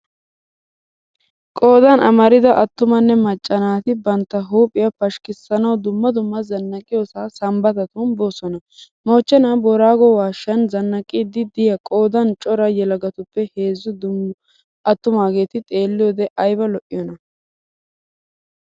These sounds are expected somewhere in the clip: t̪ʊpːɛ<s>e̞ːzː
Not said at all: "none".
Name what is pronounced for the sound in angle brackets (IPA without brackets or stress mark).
h